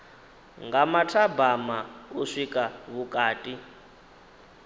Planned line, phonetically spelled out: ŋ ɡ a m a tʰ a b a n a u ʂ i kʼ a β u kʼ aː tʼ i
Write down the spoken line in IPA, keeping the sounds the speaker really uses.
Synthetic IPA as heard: ŋ ɡ a m a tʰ a b a m a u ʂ i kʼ a β u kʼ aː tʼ i